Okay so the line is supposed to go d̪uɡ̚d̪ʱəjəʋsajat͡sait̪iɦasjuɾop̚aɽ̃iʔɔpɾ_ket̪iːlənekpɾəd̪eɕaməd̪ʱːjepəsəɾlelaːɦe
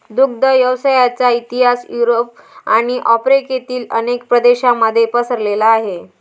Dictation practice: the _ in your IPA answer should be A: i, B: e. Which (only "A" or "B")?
B